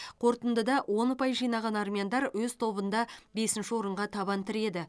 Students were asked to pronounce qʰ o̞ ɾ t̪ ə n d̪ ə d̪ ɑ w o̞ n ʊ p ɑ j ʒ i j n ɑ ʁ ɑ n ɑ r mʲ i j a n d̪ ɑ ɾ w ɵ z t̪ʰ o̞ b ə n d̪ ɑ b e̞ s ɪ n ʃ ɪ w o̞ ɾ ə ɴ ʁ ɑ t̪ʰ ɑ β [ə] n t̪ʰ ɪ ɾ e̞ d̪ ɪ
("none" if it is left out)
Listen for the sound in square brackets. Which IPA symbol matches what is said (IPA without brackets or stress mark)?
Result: ɑ